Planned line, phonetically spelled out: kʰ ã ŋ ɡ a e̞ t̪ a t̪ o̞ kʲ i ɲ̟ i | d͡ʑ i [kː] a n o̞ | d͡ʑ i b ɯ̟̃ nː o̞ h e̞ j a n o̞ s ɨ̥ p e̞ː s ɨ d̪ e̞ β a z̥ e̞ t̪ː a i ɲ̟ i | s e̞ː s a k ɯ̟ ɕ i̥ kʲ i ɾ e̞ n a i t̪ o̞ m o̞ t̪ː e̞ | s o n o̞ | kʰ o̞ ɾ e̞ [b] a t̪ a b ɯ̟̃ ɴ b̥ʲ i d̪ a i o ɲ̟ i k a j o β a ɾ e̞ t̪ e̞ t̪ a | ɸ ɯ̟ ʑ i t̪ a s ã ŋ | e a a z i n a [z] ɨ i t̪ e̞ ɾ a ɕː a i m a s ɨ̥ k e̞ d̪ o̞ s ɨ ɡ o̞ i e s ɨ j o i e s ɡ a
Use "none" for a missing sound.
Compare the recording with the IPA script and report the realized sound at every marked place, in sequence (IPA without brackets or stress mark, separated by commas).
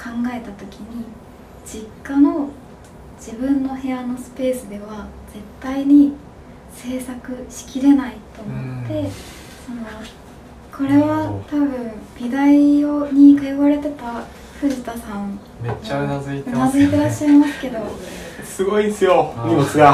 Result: kː, β, z